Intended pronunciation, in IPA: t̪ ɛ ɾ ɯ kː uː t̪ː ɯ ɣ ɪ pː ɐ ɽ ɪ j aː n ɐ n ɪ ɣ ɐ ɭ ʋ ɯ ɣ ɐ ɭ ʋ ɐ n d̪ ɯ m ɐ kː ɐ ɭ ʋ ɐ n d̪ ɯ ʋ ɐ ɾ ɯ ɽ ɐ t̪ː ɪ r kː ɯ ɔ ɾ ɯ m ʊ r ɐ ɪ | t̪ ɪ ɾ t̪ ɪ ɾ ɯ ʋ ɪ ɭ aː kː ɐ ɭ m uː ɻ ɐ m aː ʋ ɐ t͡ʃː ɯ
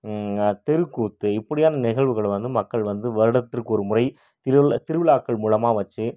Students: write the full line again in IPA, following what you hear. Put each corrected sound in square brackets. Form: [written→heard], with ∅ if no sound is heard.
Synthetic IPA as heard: t̪ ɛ ɾ ɯ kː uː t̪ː ɯ [ɣ→∅] ɪ pː ɐ ɽ ɪ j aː n ɐ n ɪ ɣ ɐ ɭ ʋ ɯ ɣ ɐ ɭ ʋ ɐ n d̪ ɯ m ɐ kː ɐ ɭ ʋ ɐ n d̪ ɯ ʋ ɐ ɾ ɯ ɽ ɐ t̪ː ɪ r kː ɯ ɔ ɾ ɯ m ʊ r ɐ ɪ | t̪ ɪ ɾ t̪ ɪ ɾ ɯ ʋ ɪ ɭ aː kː ɐ ɭ m uː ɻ ɐ m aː ʋ ɐ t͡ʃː ɯ